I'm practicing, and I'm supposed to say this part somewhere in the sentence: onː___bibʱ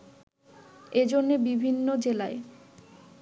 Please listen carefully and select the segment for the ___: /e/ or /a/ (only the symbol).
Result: e